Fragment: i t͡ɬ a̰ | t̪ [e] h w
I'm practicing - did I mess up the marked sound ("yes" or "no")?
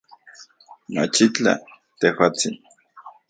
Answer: no